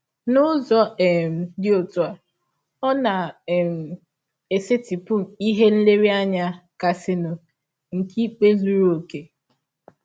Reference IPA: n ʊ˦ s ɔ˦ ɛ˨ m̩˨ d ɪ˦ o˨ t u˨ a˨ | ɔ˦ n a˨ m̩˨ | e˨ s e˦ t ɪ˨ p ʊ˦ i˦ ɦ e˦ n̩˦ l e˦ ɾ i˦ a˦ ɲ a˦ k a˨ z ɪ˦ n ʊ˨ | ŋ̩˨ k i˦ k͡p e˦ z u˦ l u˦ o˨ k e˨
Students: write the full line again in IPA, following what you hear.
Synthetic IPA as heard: n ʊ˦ z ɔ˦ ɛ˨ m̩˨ d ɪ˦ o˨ t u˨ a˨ | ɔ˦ n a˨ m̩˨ | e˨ s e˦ t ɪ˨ p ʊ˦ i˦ ɦ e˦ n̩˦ l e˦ ɾ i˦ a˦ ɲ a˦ k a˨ s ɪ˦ n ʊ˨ | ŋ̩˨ k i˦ k͡p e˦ z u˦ ɾ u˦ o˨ k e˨